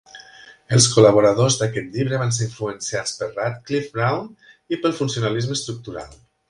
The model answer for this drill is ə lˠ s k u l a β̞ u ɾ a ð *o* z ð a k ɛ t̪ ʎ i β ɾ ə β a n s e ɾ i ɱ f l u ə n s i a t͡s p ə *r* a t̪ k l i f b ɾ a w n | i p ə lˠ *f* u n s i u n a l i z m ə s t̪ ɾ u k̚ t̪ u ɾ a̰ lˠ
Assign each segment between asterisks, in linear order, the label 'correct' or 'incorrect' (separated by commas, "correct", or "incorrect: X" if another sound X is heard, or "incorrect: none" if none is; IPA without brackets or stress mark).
correct, correct, correct